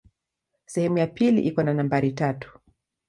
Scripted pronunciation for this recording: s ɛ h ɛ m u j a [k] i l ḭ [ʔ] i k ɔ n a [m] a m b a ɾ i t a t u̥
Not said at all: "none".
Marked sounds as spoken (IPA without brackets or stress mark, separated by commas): p, ʔ, n